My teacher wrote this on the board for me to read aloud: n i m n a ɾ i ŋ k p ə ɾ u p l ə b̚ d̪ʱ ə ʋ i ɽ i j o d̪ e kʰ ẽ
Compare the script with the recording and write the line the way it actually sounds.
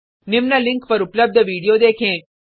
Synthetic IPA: n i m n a l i ŋ k p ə ɾ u p l ə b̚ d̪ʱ ə ʋ i ɽ i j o d̪ e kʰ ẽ